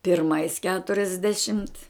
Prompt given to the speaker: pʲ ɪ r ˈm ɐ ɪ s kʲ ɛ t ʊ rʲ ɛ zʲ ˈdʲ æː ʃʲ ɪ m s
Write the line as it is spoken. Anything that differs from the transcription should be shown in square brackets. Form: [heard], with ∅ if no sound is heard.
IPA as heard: pʲ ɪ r ˈm ɐ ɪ s kʲ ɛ t ʊ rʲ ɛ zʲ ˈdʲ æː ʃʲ ɪ m [t]

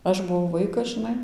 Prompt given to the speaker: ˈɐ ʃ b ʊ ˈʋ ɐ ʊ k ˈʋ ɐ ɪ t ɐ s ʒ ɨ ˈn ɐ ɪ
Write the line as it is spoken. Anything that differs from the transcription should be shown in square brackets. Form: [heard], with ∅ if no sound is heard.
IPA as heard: ˈɐ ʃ b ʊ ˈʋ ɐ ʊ [∅] ˈʋ ɐ ɪ [k] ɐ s ʒ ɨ ˈn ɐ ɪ

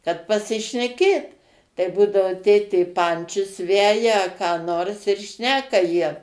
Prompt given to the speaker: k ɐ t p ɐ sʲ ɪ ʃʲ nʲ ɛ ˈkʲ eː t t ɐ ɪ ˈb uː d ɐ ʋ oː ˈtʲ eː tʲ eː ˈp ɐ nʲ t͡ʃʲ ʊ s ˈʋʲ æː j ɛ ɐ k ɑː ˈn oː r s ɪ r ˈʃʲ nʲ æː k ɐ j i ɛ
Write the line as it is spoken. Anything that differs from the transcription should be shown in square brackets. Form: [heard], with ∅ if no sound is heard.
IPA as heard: k ɐ t p ɐ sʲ ɪ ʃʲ nʲ ɛ ˈkʲ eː t t ɐ ɪ ˈb uː d ɐ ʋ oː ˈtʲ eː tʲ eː ˈp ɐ nʲ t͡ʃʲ ʊ s ˈʋʲ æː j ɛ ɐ k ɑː ˈn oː r s ɪ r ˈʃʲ nʲ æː k ɐ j i ɛ

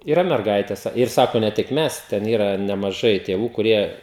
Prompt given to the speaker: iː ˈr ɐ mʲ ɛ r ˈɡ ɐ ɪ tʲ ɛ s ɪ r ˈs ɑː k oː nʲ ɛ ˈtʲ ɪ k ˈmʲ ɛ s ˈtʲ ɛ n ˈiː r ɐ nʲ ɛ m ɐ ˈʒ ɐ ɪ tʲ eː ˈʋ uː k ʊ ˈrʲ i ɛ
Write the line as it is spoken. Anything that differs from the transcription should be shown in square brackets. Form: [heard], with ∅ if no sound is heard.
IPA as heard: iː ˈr ɐ mʲ ɛ r ˈɡ ɐ ɪ tʲ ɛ s ɪ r ˈs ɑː k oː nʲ ɛ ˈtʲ ɪ k ˈmʲ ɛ s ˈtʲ ɛ n ˈiː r ɐ nʲ ɛ m ɐ ˈʒ ɐ ɪ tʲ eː ˈʋ uː k ʊ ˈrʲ i ɛ

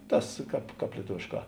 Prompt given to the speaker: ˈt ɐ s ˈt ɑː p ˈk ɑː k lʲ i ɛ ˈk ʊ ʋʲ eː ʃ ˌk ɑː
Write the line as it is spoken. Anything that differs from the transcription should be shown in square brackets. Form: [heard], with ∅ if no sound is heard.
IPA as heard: ˈt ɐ s [ˈk] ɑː p ˈk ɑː [p] lʲ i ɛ [ˈt] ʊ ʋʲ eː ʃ ˌk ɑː

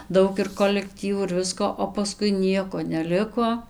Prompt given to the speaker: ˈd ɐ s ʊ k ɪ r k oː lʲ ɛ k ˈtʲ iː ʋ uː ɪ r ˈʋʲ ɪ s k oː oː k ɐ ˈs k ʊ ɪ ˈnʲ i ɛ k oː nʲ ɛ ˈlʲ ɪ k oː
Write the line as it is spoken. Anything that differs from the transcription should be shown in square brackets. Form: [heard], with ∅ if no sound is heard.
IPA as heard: ˈd ɐ [∅] ʊ k ɪ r k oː lʲ ɛ k ˈtʲ iː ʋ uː ɪ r ˈʋʲ ɪ s k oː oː [p] ɐ ˈs k ʊ ɪ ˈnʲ i ɛ k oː nʲ ɛ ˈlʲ ɪ k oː

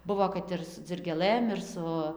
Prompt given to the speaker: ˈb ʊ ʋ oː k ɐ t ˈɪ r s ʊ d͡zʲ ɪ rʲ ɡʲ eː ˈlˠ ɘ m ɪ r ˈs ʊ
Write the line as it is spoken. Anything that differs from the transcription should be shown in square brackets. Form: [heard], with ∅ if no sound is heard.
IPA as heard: ˈb ʊ ʋ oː k ɐ t ˈɪ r s ʊ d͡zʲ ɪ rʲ ɡʲ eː ˈlˠ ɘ m ɪ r ˈs ʊ

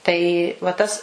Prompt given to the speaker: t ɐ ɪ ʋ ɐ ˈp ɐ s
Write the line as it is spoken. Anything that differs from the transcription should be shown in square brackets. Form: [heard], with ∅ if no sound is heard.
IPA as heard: t ɐ ɪ ʋ ɐ [ˈt] ɐ s

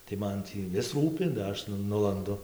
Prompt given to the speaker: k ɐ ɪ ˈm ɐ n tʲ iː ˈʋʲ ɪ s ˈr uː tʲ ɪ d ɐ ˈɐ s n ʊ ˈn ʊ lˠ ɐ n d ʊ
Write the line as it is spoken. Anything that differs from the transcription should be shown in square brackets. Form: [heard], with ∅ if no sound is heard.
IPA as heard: [t] ɐ ɪ ˈm ɐ n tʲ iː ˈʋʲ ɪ s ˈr uː [pʲ] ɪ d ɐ ˈɐ [ʃ] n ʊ ˈn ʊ lˠ ɐ n d ʊ

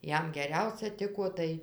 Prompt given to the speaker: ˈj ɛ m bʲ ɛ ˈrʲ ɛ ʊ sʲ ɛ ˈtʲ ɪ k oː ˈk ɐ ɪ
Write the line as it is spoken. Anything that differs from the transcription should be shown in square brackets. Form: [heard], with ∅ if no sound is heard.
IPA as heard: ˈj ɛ m [ɡʲ] ɛ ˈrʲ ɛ ʊ sʲ ɛ ˈtʲ ɪ k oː [ˈt] ɐ ɪ

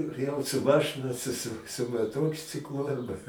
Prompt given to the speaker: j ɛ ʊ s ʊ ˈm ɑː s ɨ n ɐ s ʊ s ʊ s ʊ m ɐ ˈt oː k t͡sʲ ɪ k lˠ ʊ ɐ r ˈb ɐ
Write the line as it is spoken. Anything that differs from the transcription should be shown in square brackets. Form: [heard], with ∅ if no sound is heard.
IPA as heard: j ɛ ʊ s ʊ ˈm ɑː [ʃ] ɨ n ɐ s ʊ s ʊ s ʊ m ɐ ˈt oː k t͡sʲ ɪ k lˠ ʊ ɐ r ˈb ɐ

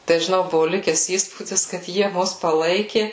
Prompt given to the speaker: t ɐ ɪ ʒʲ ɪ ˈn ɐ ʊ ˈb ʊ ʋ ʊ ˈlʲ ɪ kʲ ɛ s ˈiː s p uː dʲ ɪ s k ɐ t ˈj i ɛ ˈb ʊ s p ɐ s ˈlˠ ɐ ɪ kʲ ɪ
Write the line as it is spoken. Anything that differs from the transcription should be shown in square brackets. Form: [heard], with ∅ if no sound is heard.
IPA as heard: t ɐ ɪ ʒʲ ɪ ˈn ɐ ʊ ˈb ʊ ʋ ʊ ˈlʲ ɪ kʲ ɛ s ˈiː s p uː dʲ ɪ s k ɐ t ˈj i ɛ [ˈm] ʊ s p ɐ [∅] ˈlˠ ɐ ɪ kʲ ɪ

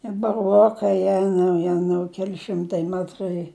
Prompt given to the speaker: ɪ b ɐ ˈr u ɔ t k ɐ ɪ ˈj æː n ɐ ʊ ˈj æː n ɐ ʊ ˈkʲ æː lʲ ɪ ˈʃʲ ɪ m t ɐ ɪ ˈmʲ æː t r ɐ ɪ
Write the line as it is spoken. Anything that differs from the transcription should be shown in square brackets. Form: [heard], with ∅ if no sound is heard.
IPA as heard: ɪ b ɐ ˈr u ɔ [∅] k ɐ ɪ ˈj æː n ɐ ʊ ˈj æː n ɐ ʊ ˈkʲ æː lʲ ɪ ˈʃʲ ɪ m t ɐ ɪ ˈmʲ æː t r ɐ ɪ

